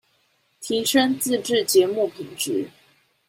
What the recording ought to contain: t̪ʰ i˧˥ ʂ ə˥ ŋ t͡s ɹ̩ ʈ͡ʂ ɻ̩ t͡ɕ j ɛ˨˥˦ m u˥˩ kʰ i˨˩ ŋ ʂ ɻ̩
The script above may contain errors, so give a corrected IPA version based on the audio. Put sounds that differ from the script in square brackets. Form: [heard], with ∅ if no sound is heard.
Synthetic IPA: t̪ʰ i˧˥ ʂ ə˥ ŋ t͡s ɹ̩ ʈ͡ʂ ɻ̩ t͡ɕ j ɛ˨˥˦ m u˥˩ [pʰ] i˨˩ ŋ [ʈ͡ʂ] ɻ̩